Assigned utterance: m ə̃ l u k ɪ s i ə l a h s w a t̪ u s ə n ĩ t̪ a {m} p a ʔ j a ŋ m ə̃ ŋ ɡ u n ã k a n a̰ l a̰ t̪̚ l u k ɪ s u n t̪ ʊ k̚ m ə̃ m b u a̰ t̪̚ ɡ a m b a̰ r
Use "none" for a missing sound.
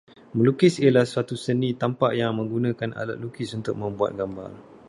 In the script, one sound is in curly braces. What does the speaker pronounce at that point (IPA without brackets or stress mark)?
m